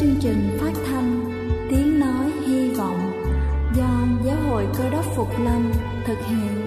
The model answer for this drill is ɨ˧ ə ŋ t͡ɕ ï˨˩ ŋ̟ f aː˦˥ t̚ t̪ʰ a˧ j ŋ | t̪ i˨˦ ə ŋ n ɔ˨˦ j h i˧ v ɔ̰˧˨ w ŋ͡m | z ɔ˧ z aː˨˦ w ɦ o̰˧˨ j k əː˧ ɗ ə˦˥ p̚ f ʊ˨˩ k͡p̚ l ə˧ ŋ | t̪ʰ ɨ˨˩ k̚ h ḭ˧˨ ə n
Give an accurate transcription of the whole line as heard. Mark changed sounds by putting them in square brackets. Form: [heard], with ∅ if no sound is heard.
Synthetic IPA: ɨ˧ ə ŋ t͡ɕ ï˨˩ ŋ̟ f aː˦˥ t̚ t̪ʰ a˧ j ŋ | t̪ i˨˦ ə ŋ n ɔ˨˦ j h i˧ v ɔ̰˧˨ w ŋ͡m | z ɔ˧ z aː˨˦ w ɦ o̰˧˨ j k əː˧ ɗ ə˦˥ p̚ f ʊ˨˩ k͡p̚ l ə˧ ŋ | t̪ʰ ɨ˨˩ k̚ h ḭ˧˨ ə n